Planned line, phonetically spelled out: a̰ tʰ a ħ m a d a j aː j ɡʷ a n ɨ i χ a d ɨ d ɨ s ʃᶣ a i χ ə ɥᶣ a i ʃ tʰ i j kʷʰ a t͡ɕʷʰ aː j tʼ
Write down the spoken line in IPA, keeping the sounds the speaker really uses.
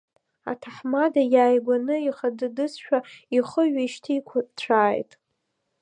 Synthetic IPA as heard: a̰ tʰ a ħ m a d a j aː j ɡʷ a n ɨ i χ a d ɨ d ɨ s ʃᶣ a i χ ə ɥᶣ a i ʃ tʰ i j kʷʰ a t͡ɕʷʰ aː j tʼ

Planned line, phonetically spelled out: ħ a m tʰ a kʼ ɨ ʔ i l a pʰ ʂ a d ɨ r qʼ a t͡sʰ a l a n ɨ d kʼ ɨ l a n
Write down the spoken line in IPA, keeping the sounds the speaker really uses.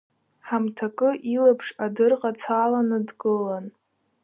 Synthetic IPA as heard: ħ a m tʰ a kʼ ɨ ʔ i l a pʰ ʂ a d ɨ r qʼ a t͡sʰ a l a n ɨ d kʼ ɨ l a n

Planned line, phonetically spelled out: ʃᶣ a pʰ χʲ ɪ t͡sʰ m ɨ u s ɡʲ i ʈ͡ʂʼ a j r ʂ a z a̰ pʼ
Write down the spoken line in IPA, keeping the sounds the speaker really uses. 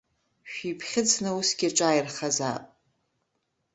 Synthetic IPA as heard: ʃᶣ i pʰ χʲ ɪ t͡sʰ n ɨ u s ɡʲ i ʈ͡ʂʼ a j r χ a z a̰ pʼ

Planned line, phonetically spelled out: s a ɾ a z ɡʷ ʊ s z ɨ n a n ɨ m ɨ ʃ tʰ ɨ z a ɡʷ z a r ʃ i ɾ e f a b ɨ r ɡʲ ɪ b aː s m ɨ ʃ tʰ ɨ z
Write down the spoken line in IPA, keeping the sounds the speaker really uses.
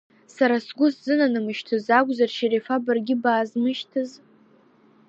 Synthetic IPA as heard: s a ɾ a s ɡʷ ʊ s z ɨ n a n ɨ m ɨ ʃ tʰ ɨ z a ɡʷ z a r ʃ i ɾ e f a b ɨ r ɡʲ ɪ b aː z m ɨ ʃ tʰ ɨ z

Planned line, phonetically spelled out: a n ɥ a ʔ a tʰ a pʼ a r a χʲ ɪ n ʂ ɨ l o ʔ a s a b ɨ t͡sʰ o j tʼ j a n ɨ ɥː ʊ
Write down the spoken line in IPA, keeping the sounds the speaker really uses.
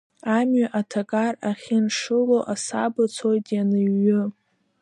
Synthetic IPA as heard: a m ɥ a ʔ a tʰ a kʼ a r a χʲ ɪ n ʂ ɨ l o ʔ a s a b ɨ t͡sʰ o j tʼ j a n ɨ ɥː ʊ

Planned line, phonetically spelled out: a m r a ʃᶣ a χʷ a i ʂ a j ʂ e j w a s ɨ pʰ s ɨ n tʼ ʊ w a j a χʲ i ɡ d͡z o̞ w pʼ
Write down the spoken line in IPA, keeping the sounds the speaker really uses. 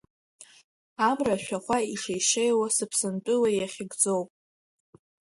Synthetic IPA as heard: a m r a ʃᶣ a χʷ a i ʂ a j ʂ e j w a s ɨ pʰ s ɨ n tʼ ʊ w a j a χʲ ɪ ɡ d͡z o̞ w pʼ

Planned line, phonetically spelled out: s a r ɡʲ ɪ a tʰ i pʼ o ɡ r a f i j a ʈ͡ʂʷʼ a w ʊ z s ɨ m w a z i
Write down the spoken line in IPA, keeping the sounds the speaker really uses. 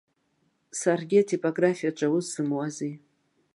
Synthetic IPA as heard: s a r ɡʲ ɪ a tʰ i pʼ o ɡ r a f i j a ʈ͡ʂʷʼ a w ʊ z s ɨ m w a z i

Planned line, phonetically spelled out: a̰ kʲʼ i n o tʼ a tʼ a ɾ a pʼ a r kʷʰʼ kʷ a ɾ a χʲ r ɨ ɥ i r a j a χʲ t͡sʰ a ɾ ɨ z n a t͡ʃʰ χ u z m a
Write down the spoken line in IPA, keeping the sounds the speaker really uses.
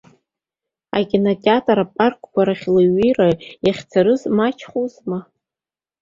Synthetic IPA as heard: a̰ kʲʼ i n o tʼ a tʼ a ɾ a pʼ a r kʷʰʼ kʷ a ɾ a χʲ l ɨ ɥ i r a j a χʲ t͡sʰ a ɾ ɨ z m a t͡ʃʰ χ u z m a

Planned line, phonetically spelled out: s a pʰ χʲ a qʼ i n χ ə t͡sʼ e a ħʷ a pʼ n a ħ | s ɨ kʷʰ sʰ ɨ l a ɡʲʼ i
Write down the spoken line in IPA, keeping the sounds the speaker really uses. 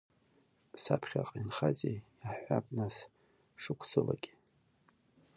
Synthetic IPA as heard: s a pʰ χʲ a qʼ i n χ a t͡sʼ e a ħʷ a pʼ n a s | ʂ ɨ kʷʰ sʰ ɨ l a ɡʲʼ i

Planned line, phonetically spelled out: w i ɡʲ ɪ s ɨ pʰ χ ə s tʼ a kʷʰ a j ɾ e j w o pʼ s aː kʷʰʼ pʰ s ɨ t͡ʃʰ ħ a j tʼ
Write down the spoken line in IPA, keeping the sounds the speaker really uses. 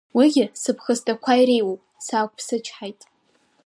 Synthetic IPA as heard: w i ɡʲ ɪ s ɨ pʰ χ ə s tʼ a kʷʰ a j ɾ e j w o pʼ s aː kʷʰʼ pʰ s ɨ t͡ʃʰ ħ a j tʼ

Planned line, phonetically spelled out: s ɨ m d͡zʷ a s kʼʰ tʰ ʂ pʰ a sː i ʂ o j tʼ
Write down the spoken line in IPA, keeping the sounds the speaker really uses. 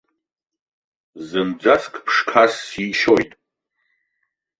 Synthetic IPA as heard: z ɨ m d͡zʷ a s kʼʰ pʰ ʂ kʰ a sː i ʃ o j tʼ

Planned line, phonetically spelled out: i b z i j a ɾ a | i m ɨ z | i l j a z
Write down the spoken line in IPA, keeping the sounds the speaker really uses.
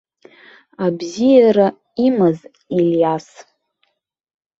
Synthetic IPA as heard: a b z i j a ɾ a | i m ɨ z | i l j a s

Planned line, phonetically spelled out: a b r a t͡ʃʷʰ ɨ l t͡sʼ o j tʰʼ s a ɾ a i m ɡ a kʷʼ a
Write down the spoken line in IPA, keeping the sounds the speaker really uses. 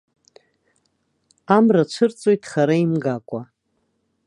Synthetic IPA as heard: a m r a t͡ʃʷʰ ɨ r t͡sʼ o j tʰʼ χ a ɾ a i m ɡ a kʷʼ a

